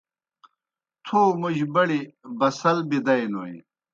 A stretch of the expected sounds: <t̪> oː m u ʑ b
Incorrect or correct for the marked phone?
incorrect: t̪ʰ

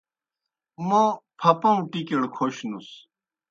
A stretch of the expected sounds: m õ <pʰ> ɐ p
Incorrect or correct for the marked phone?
correct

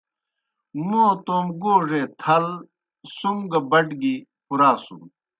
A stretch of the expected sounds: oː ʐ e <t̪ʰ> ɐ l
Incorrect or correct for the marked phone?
correct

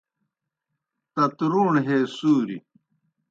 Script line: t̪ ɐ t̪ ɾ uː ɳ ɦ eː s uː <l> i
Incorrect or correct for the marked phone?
incorrect: ɾ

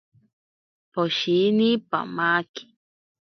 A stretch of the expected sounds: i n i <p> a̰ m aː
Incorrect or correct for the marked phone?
correct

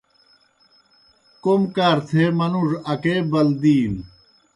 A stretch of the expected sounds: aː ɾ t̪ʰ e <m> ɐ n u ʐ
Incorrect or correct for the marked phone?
correct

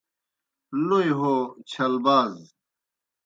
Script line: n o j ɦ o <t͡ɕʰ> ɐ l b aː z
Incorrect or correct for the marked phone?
correct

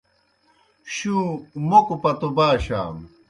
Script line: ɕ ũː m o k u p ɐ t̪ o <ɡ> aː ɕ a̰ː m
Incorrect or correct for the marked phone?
incorrect: b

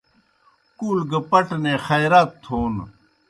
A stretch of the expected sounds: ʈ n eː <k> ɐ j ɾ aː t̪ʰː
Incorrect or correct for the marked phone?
incorrect: x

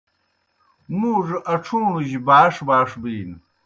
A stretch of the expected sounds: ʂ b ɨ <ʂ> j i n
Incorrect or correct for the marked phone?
incorrect: none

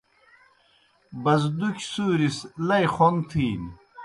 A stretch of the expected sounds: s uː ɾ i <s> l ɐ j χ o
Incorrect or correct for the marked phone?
correct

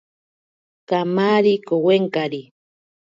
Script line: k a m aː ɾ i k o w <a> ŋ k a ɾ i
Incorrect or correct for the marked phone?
incorrect: e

